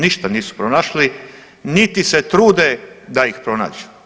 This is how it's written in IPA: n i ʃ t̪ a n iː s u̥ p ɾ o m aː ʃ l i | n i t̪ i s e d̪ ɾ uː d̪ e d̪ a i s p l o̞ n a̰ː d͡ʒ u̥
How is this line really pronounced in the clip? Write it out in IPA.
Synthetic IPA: n i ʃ t̪ a n iː s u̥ p ɾ o n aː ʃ l i | n i t̪ i s e t̪ ɾ uː d̪ e d̪ a i x p ɾ o̞ n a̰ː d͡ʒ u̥